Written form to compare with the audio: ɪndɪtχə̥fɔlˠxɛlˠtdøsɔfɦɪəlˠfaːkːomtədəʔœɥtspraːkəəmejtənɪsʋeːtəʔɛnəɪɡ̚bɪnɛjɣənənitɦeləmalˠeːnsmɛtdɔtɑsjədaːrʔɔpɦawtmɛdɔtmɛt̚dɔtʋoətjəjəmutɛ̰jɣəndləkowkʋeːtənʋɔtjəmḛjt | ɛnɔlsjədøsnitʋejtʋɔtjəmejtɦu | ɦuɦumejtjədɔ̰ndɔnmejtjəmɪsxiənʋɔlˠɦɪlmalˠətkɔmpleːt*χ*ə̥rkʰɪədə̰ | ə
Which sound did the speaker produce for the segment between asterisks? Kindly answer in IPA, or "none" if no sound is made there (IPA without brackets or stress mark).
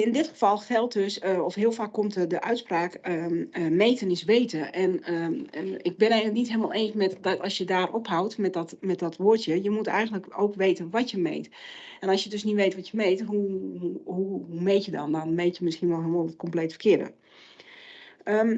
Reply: f